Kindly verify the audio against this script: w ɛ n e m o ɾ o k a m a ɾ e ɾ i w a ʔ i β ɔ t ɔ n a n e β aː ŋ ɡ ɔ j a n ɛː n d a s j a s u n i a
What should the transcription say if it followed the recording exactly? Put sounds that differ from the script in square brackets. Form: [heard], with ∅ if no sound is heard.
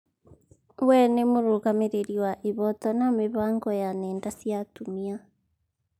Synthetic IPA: w ɛ n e m o ɾ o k a m [e] ɾ e ɾ i w a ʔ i β ɔ t ɔ n a [m] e β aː ŋ ɡ ɔ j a n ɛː n d a s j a [t] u [m] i a